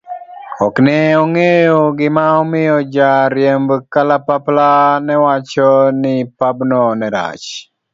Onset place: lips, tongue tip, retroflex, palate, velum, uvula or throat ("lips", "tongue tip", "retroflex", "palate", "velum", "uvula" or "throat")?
velum